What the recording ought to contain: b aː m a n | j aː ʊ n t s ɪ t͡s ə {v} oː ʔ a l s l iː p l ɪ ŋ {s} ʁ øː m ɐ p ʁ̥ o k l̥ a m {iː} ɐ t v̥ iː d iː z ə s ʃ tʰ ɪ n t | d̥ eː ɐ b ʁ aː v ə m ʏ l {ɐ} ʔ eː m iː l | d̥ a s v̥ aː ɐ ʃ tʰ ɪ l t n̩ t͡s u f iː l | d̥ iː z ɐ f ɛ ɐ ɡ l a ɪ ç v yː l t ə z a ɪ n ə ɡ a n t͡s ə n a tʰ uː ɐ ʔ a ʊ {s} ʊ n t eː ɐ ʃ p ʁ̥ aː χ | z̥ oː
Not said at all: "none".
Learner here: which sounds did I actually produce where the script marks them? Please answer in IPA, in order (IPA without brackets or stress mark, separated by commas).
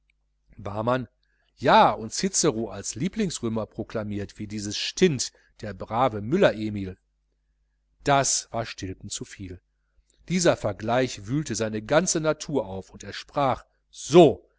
ʁ, s, iː, ɐ, f